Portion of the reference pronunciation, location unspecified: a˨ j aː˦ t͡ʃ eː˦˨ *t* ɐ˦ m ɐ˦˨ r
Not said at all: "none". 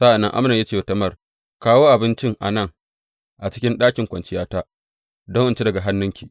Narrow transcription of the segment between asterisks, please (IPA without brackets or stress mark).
t